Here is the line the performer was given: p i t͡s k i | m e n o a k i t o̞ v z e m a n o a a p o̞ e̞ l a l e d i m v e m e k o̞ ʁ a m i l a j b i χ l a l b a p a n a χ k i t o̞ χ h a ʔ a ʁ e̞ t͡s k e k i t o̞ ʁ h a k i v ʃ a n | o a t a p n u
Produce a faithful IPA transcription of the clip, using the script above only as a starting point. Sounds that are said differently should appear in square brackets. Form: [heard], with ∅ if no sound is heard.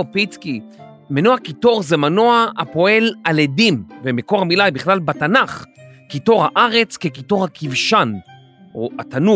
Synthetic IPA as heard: p i t͡s k i | m e n o a k i t o̞ [ʁ] z e m a n o a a p o̞ e̞ l a l e d i m v e m e k o̞ ʁ a m i l a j b i χ l a l b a [t] a n a χ k i t o̞ [ʁ] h a ʔ a ʁ e̞ t͡s k e k i t o̞ ʁ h a k i v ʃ a n | o a t a [∅] n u